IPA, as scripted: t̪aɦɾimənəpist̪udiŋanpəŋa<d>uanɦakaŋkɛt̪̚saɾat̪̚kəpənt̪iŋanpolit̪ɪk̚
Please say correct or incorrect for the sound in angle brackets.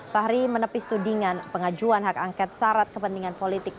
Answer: incorrect